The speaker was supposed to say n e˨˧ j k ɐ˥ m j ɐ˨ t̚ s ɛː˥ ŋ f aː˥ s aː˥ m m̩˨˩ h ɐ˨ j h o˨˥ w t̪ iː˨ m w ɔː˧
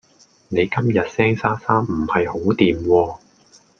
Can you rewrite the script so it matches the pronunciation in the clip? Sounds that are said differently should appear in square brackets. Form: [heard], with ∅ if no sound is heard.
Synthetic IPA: n e˨˧ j k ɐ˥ m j ɐ˨ t̚ s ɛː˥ ŋ [s] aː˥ s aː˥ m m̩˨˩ h ɐ˨ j h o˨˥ w t̪ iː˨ m w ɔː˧